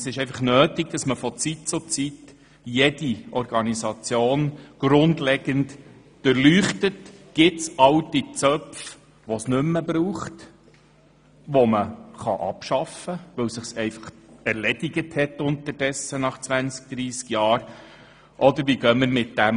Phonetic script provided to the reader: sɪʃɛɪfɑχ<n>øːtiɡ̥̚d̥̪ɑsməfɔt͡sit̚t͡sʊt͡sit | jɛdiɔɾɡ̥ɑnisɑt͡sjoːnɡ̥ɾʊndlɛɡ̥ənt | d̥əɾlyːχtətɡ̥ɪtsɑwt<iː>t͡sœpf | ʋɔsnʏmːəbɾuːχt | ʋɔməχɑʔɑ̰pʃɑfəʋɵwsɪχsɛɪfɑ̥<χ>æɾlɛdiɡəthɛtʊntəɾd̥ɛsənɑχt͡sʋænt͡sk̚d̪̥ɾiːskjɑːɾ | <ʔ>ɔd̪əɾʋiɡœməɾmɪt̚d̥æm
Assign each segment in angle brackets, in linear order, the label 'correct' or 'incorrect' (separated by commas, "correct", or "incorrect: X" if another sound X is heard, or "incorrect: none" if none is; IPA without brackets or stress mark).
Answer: correct, incorrect: i, correct, correct